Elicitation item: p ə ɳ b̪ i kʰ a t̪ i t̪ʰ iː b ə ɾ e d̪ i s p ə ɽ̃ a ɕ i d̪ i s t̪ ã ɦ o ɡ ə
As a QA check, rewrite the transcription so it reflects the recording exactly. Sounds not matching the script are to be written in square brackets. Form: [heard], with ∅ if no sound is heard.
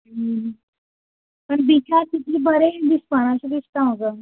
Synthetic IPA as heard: p ə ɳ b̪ i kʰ a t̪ i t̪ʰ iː b ə ɾ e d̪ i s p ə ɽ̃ a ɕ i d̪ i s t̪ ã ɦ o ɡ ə